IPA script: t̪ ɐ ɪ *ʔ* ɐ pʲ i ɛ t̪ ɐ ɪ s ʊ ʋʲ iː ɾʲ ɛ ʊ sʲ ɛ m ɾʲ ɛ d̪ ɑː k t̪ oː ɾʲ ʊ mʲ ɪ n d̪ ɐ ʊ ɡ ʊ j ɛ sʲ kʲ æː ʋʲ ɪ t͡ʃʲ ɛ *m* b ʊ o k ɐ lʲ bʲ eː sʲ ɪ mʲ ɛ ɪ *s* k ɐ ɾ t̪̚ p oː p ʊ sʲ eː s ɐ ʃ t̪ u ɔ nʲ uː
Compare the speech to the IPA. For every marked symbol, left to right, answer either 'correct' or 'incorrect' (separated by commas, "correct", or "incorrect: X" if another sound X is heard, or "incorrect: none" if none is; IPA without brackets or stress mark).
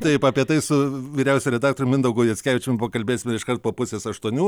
incorrect: p, correct, incorrect: ʃ